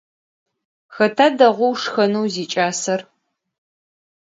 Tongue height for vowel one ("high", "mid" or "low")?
low